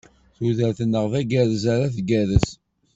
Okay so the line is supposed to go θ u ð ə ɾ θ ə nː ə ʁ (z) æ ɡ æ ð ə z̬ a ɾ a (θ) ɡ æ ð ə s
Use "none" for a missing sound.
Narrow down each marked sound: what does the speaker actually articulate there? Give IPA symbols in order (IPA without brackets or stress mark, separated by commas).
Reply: v, θ